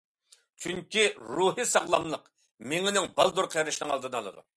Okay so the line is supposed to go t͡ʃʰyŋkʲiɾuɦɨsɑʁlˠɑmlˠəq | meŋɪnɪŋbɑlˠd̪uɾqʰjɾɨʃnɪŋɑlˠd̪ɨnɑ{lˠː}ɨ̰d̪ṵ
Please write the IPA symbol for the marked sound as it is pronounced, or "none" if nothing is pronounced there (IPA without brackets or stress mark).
lˠ